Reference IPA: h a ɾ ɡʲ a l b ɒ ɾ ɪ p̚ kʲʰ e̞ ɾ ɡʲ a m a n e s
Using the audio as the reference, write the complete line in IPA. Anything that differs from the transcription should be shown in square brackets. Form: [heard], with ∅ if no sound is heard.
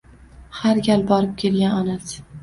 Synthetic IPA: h a ɾ ɡʲ a l b ɒ ɾ ɪ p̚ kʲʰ e̞ [l] ɡʲ a [n] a n [a] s